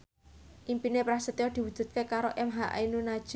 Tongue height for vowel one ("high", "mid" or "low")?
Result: high